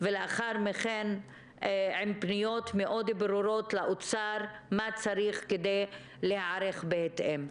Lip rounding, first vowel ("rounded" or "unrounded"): unrounded